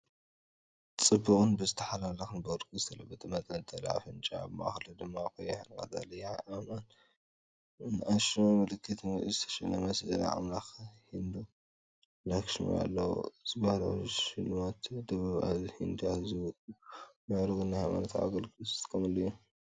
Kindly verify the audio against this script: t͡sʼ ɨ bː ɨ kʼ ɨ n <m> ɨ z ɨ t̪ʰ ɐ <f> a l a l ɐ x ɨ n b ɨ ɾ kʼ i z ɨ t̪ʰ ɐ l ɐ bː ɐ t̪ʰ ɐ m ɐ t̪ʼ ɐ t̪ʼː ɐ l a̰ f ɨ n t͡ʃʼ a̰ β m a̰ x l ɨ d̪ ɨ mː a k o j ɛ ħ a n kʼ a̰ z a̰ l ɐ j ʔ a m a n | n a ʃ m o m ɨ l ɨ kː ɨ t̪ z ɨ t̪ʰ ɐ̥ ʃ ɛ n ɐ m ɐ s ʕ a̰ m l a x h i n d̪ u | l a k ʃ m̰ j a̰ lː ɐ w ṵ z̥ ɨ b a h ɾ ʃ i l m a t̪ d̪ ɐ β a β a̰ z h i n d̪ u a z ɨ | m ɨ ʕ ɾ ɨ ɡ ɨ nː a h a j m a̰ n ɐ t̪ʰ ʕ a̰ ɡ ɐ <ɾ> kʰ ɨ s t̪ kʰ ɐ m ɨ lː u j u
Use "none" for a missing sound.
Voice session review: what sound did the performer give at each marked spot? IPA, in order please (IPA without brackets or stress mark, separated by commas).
b, ħ, l